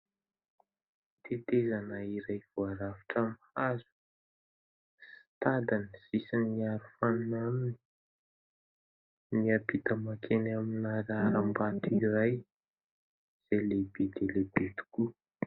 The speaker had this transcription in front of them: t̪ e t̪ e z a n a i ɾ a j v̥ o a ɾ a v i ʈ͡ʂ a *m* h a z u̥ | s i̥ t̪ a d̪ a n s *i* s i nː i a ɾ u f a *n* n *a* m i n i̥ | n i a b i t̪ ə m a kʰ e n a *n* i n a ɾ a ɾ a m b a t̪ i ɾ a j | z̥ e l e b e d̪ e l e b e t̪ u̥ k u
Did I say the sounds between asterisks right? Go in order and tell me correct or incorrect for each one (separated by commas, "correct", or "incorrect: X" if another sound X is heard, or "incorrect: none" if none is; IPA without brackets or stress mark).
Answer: correct, correct, correct, correct, incorrect: m